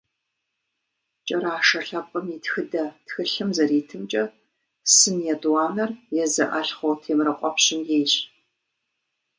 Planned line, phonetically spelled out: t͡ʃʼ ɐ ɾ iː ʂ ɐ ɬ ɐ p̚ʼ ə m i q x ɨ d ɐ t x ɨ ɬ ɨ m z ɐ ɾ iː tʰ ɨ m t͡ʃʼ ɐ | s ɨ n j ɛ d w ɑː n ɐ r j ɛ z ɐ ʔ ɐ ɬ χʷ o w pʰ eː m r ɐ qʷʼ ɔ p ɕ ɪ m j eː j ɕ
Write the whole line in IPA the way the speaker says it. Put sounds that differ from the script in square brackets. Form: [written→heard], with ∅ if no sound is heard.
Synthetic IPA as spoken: t͡ʃʼ ɐ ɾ [iː→aː] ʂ ɐ ɬ ɐ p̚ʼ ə m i [q→t] x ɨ d ɐ t x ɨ ɬ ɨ m z ɐ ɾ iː tʰ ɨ m t͡ʃʼ ɐ | s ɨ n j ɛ d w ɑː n ɐ r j ɛ z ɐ ʔ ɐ ɬ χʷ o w [pʰ→tʰ] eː m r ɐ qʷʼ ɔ p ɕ ɪ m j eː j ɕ